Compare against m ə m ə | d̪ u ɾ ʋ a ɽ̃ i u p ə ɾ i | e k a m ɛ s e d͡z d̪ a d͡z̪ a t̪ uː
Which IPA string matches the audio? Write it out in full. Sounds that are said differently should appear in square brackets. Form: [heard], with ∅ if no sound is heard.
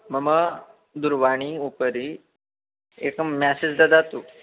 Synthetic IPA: m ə m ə | d̪ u ɾ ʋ a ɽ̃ i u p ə ɾ i | e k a m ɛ s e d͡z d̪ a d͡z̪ a t̪ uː